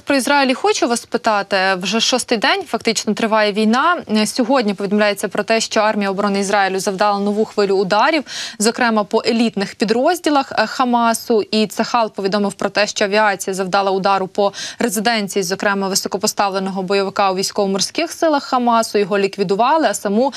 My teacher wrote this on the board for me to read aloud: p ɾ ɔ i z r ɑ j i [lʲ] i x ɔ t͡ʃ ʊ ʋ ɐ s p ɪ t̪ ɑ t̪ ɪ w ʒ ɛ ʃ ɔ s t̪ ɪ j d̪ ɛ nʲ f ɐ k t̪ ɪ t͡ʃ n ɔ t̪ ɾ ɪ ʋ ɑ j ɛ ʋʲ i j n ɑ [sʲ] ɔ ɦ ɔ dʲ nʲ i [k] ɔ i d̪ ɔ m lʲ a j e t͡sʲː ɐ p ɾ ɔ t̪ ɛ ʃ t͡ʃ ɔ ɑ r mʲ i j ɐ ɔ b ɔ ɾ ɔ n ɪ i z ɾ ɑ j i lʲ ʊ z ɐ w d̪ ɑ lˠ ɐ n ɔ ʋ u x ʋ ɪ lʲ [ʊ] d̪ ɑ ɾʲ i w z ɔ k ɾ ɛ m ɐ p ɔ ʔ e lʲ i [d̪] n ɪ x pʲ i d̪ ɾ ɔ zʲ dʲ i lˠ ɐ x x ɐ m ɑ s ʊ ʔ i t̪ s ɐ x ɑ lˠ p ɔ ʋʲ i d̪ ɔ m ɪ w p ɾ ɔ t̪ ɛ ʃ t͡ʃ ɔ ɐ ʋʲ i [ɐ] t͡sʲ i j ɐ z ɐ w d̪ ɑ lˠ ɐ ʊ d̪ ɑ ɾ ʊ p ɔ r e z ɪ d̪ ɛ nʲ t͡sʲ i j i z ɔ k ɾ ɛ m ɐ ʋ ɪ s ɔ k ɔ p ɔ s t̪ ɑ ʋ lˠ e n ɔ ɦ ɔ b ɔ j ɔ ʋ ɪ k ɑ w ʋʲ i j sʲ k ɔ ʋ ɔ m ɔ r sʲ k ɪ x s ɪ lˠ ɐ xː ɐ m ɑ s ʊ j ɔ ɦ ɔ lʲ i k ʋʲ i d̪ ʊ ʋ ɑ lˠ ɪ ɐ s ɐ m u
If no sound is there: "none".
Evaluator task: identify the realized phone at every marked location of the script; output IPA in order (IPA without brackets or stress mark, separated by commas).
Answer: lʲ, sʲ, p, ʊː, t̪, ɑ